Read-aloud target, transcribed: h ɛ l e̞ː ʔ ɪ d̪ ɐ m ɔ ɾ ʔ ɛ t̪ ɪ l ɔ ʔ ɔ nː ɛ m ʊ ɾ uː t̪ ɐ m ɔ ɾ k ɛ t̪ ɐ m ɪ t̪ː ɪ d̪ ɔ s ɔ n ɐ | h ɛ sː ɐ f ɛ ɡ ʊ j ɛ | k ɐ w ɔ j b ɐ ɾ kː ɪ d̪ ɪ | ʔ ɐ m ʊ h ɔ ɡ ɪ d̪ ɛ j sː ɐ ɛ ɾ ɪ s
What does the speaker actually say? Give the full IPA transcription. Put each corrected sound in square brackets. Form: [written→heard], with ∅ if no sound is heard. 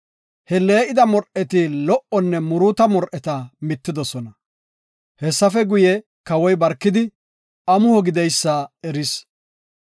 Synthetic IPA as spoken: h ɛ l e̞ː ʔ ɪ d̪ ɐ m ɔ ɾ ʔ ɛ t̪ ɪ l ɔ ʔ ɔ nː ɛ m ʊ ɾ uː t̪ ɐ m ɔ ɾ [k→ʔ] ɛ t̪ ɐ m ɪ t̪ː ɪ d̪ ɔ s ɔ n ɐ | h ɛ sː ɐ f ɛ ɡ ʊ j ɛ | k ɐ w ɔ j b ɐ ɾ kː ɪ d̪ ɪ | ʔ ɐ m ʊ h ɔ ɡ ɪ d̪ ɛ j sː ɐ ɛ ɾ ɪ s

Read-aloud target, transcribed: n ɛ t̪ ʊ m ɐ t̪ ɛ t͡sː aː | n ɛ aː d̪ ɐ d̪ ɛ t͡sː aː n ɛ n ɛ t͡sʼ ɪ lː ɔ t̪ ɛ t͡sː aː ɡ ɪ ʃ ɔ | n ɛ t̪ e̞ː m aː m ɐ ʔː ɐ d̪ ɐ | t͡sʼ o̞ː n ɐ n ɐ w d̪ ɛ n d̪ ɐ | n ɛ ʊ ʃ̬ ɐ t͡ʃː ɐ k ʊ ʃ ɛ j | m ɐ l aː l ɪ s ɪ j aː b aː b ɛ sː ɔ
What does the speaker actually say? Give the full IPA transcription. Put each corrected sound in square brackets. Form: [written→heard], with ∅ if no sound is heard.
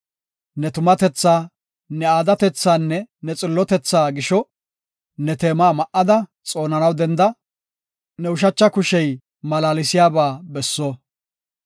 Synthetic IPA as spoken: n ɛ t̪ ʊ m ɐ t̪ ɛ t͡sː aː | n ɛ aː d̪ ɐ [d̪→t̪] ɛ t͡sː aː [n→nː] ɛ n ɛ t͡sʼ ɪ lː ɔ t̪ ɛ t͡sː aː ɡ ɪ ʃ ɔ | n ɛ t̪ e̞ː m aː m ɐ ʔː ɐ d̪ ɐ | t͡sʼ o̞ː n ɐ n ɐ w d̪ ɛ n d̪ ɐ | n ɛ ʊ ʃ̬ ɐ t͡ʃː ɐ k ʊ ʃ ɛ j | m ɐ l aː l ɪ s ɪ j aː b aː b ɛ sː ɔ

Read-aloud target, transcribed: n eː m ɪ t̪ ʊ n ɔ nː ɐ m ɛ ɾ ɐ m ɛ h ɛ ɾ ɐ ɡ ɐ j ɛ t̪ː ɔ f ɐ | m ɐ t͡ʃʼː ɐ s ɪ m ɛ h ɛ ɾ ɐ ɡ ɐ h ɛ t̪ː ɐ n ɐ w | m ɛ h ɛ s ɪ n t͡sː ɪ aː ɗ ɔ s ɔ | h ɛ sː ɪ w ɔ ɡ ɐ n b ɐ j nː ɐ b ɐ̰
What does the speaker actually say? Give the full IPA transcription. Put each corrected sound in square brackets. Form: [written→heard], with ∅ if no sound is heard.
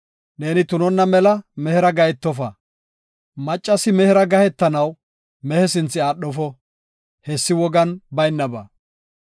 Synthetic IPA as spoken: n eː [m→n] ɪ t̪ ʊ n ɔ nː ɐ m ɛ [ɾ→l] ɐ m ɛ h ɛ ɾ ɐ ɡ ɐ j ɛ t̪ː ɔ f ɐ | m ɐ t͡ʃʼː ɐ s ɪ m ɛ h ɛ ɾ ɐ ɡ ɐ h ɛ t̪ː ɐ n ɐ w | m ɛ h ɛ s ɪ n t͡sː ɪ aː ɗ ɔ [s→f] ɔ | h ɛ sː ɪ w ɔ ɡ ɐ n b ɐ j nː ɐ b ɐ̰

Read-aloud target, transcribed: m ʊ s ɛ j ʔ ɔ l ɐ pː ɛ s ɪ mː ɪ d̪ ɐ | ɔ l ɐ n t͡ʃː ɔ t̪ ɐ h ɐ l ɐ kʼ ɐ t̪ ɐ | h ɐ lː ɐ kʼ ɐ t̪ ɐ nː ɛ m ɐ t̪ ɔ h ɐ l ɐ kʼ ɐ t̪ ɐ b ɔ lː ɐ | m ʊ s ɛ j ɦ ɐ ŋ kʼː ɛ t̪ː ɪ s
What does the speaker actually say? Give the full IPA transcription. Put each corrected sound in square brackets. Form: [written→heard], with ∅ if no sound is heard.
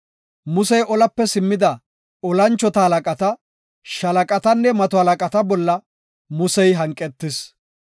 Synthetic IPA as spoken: m ʊ s ɛ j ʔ ɔ l ɐ pː ɛ s ɪ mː ɪ d̪ ɐ | ɔ l ɐ n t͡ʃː ɔ t̪ ɐ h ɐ l ɐ kʼ ɐ t̪ ɐ | [h→ʃ] ɐ [lː→l] ɐ kʼ ɐ t̪ ɐ nː ɛ m ɐ t̪ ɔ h ɐ l ɐ kʼ ɐ t̪ ɐ b ɔ lː ɐ | m ʊ s ɛ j ɦ ɐ ŋ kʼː ɛ t̪ː ɪ s

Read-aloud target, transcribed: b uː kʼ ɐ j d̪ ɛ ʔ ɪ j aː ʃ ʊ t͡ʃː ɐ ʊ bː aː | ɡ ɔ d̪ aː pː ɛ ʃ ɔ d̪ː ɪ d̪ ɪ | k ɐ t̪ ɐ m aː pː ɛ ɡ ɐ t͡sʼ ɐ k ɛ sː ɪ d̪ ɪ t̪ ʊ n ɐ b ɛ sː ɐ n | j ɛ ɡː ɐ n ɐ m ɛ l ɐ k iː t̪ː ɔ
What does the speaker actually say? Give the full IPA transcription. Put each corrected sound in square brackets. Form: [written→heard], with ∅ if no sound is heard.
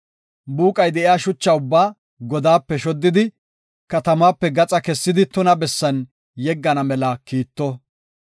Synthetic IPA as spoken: b uː kʼ ɐ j d̪ ɛ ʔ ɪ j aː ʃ ʊ t͡ʃː ɐ ʊ bː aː | ɡ ɔ d̪ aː pː ɛ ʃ ɔ d̪ː ɪ d̪ ɪ | k ɐ t̪ ɐ m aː pː ɛ ɡ ɐ t͡sʼ ɐ k ɛ sː ɪ d̪ ɪ t̪ ʊ n ɐ b ɛ sː ɐ n | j ɛ ɡː ɐ n ɐ m ɛ l ɐ k iː t̪ː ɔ

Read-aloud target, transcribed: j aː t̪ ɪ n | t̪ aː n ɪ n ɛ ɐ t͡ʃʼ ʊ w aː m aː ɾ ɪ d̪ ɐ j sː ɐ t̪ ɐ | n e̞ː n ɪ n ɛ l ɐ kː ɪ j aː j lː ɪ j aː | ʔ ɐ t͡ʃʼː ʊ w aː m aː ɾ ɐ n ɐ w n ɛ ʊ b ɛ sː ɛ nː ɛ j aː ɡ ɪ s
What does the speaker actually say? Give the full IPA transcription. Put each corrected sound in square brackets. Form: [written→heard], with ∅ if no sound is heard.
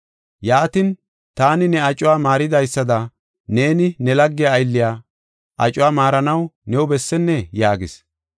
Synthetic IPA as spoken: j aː t̪ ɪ n | t̪ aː n ɪ n ɛ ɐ t͡ʃʼ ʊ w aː m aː ɾ ɪ d̪ ɐ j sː ɐ [t̪→d̪] ɐ | n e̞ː n ɪ n ɛ l ɐ [kː→ɡː] ɪ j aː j lː ɪ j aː | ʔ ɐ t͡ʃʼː ʊ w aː m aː ɾ ɐ n ɐ w n ɛ ʊ b ɛ sː ɛ nː ɛ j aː ɡ ɪ s

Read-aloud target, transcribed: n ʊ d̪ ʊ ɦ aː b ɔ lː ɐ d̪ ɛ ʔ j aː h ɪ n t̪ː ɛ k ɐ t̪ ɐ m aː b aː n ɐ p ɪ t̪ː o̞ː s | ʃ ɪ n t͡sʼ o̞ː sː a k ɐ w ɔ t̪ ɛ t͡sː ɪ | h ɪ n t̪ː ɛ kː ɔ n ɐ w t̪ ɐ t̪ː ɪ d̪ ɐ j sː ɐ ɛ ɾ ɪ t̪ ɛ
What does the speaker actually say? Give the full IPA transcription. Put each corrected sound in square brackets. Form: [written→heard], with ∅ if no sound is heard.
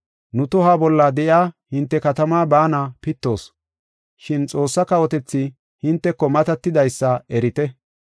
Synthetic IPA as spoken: n ʊ [d̪→t̪] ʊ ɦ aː b ɔ lː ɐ d̪ ɛ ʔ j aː h ɪ n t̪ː ɛ k ɐ t̪ ɐ m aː b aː n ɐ p ɪ t̪ː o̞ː s | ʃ ɪ n t͡sʼ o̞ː sː [a→ɐ] k ɐ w ɔ t̪ ɛ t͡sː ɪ | h ɪ n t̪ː ɛ kː ɔ [n→m] ɐ [w→∅] t̪ ɐ t̪ː ɪ d̪ ɐ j sː ɐ ɛ ɾ ɪ t̪ ɛ

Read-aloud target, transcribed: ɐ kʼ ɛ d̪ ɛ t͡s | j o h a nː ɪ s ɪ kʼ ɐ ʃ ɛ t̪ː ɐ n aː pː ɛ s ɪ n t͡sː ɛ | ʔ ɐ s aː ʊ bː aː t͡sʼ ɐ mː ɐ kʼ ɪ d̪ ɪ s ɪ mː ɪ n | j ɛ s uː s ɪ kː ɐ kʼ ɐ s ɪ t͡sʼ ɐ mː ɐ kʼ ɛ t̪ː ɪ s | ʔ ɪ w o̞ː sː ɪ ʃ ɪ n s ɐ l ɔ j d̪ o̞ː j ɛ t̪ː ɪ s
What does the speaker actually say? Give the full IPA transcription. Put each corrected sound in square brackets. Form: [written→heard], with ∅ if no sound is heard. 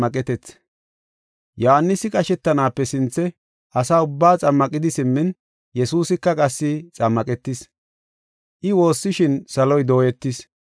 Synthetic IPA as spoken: ɐ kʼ ɛ [d̪→t̪] ɛ t͡s | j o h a nː ɪ s ɪ kʼ ɐ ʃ ɛ t̪ː ɐ n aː pː ɛ s ɪ n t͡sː ɛ | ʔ ɐ s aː ʊ bː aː t͡sʼ ɐ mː ɐ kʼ ɪ d̪ ɪ s ɪ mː ɪ n | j ɛ s uː s ɪ kː ɐ kʼ ɐ [s→sː] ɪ t͡sʼ ɐ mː ɐ kʼ ɛ t̪ː ɪ s | ʔ ɪ w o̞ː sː ɪ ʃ ɪ n s ɐ l ɔ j d̪ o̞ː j ɛ t̪ː ɪ s

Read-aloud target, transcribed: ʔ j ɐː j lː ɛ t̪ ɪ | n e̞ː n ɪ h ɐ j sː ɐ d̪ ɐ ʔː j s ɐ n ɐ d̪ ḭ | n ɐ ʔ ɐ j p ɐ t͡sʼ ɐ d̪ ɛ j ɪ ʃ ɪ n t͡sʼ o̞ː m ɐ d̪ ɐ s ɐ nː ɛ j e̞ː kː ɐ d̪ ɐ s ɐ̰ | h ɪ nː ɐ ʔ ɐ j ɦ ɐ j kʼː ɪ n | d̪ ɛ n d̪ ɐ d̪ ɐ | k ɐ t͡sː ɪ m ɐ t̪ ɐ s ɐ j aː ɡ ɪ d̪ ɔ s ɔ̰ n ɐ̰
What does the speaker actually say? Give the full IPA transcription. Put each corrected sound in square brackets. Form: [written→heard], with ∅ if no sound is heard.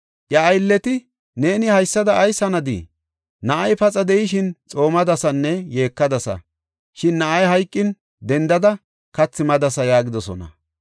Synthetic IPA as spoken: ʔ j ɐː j lː ɛ t̪ ɪ | n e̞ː n ɪ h ɐ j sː ɐ d̪ ɐ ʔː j s ɐ n ɐ d̪ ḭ | n ɐ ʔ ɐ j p ɐ t͡sʼ ɐ d̪ ɛ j ɪ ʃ ɪ n t͡sʼ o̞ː m ɐ d̪ ɐ s ɐ nː ɛ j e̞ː kː ɐ d̪ ɐ s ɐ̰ | [h→ʃ] ɪ nː ɐ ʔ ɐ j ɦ ɐ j kʼː ɪ n | d̪ ɛ n d̪ ɐ d̪ ɐ | k ɐ t͡sː ɪ m ɐ [t̪→d̪] ɐ s ɐ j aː ɡ ɪ d̪ ɔ s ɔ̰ n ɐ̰

